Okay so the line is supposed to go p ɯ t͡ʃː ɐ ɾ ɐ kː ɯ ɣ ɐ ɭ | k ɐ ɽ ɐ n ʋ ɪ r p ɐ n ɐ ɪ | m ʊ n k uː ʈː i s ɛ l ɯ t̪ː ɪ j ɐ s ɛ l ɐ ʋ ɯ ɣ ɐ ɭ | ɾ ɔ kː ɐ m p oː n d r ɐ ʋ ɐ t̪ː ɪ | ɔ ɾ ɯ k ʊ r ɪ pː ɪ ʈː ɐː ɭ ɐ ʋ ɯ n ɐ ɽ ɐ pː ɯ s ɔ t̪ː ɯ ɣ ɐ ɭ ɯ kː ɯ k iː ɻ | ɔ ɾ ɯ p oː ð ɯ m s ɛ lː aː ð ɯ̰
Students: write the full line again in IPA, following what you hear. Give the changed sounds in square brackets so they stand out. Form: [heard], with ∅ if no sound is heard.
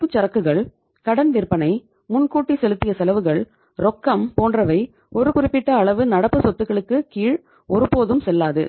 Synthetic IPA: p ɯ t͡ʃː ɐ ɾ ɐ kː ɯ ɣ ɐ ɭ | k ɐ ɽ ɐ n ʋ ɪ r p ɐ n ɐ ɪ | m ʊ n k uː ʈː i s ɛ l ɯ t̪ː ɪ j ɐ s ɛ l ɐ ʋ ɯ ɣ ɐ ɭ | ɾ ɔ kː ɐ m p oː n d r ɐ ʋ ɐ [∅] ɪ | ɔ ɾ ɯ k ʊ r ɪ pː ɪ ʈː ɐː ɭ ɐ ʋ ɯ n ɐ ɽ ɐ pː ɯ s ɔ t̪ː ɯ ɣ ɐ ɭ ɯ kː ɯ k iː ɻ | ɔ ɾ ɯ p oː ð ɯ m s ɛ lː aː ð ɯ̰

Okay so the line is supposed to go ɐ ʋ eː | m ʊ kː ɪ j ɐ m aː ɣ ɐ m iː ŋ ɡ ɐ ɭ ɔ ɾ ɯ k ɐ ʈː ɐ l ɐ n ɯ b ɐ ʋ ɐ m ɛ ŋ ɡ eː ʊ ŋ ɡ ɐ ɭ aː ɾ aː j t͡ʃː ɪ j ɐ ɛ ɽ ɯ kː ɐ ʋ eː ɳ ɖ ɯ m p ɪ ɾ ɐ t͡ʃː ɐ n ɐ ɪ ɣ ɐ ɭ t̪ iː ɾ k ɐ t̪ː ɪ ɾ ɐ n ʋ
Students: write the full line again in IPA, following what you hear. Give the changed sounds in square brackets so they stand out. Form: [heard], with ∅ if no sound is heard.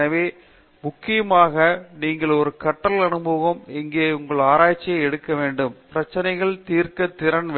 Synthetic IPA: ɐ ʋ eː | m ʊ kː ɪ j ɐ m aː ɣ ɐ [n] iː ŋ ɡ ɐ ɭ ɔ ɾ ɯ k ɐ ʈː ɐ l ɐ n ɯ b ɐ ʋ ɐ m ɛ ŋ ɡ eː ʊ ŋ ɡ ɐ ɭ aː ɾ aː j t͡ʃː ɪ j ɐ ɛ ɽ ɯ kː ɐ ʋ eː ɳ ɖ ɯ m p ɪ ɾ ɐ t͡ʃː ɐ n ɐ ɪ ɣ ɐ ɭ t̪ iː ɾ k ɐ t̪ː ɪ ɾ ɐ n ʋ

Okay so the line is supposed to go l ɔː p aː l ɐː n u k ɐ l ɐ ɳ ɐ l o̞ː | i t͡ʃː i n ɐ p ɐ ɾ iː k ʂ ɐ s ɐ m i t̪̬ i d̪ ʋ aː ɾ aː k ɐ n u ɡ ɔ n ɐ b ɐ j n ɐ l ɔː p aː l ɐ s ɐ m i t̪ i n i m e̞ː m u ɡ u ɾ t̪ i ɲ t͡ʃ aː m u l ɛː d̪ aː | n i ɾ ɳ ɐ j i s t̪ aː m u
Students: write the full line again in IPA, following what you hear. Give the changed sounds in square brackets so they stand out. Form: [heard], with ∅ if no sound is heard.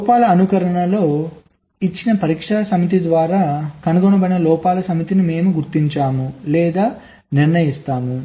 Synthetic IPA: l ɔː p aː l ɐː n u k ɐ [ɾ] ɐ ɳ ɐ l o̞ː | i t͡ʃː i n ɐ p ɐ ɾ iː k ʂ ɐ s ɐ m i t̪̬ i d̪ ʋ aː ɾ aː k ɐ n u ɡ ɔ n ɐ b ɐ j n ɐ l ɔː p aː l ɐ s ɐ m i t̪ i n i m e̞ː m u ɡ u ɾ t̪ i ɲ t͡ʃ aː m u l ɛː d̪ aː | n i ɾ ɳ ɐ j i s t̪ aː m u

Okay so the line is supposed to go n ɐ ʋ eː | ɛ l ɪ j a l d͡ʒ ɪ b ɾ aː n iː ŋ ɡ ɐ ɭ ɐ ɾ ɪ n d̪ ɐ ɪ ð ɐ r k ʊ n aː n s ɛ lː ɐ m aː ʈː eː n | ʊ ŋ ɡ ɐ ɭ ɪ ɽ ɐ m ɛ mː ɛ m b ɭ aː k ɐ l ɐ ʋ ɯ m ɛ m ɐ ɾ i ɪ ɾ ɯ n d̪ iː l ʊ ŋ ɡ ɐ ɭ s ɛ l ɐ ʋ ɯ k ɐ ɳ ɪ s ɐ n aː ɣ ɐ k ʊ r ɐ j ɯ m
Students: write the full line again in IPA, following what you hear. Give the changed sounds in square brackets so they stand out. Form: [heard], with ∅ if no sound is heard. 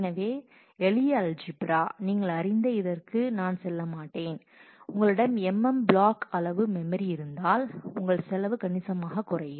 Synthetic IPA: n ɐ ʋ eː | ɛ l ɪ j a l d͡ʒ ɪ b ɾ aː n iː ŋ ɡ ɐ ɭ ɐ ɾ ɪ n d̪ ɐ ɪ ð ɐ r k [ɯ] n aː n s ɛ lː ɐ m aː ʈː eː n | ʊ ŋ ɡ ɐ ɭ ɪ ɽ ɐ m ɛ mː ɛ m b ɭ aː k ɐ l ɐ ʋ ɯ m ɛ m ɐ ɾ i ɪ ɾ ɯ n d̪ [aː] l ʊ ŋ ɡ ɐ ɭ s ɛ l ɐ ʋ ɯ k ɐ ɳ ɪ s ɐ [m] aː ɣ ɐ k ʊ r ɐ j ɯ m

